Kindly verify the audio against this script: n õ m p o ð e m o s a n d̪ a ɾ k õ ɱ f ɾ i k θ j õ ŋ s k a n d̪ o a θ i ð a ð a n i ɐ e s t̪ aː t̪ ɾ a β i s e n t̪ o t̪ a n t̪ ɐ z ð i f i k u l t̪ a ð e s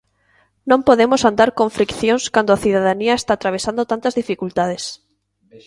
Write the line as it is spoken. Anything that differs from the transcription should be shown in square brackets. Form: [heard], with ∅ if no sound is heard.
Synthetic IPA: n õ m p o ð e m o s a n d̪ a ɾ k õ ɱ f ɾ i k θ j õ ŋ s k a n d̪ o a θ i ð a ð a n i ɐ e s t̪ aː t̪ ɾ a β [e] s [a] n [d̪] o t̪ a n t̪ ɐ z ð i f i k u l t̪ a ð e s